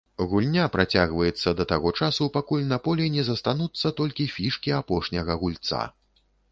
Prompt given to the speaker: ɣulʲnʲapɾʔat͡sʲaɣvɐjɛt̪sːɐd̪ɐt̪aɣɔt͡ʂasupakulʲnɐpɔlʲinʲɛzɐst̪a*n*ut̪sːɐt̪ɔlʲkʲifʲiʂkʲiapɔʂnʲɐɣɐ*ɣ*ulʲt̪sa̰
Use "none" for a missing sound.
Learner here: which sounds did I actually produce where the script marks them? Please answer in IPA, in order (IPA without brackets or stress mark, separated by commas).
n, ɣ